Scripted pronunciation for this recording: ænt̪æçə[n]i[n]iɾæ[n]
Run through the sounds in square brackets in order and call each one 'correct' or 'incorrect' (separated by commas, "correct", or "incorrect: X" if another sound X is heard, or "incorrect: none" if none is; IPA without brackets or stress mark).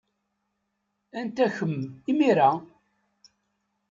incorrect: m, incorrect: m, incorrect: none